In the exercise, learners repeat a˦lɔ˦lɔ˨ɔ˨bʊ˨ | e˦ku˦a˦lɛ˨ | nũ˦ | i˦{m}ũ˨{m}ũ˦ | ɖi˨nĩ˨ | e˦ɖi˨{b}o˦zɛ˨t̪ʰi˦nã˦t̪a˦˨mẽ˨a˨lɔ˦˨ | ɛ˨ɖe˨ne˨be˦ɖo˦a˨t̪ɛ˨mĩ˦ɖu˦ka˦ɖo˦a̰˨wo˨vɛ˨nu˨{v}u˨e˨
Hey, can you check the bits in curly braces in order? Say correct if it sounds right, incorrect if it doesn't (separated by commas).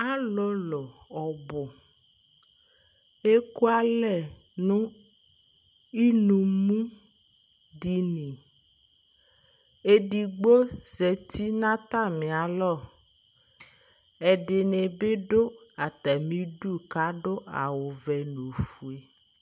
incorrect, correct, incorrect, incorrect